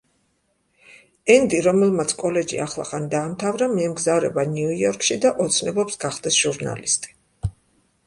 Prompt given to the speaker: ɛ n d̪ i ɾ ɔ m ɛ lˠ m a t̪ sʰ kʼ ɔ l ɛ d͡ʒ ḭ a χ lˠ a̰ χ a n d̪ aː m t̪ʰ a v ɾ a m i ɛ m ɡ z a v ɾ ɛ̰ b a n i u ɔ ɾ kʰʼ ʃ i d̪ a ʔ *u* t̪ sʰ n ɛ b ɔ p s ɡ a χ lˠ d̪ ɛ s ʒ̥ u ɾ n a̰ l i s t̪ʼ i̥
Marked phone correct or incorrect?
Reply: incorrect